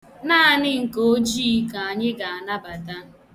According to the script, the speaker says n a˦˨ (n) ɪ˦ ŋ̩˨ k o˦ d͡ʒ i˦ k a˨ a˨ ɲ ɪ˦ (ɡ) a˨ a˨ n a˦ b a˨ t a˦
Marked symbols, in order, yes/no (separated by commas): yes, yes